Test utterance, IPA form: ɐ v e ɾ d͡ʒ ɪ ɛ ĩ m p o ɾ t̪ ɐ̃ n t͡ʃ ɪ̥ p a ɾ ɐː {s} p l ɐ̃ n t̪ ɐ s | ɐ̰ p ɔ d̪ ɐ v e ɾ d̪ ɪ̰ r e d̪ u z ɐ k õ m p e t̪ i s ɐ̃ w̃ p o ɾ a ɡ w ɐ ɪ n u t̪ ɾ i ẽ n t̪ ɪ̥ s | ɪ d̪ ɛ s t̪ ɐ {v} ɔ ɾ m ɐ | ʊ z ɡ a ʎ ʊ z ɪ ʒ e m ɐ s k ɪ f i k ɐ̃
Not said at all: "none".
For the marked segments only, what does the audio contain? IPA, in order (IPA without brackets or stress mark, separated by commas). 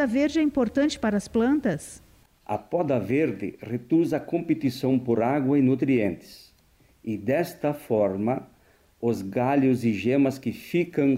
s, f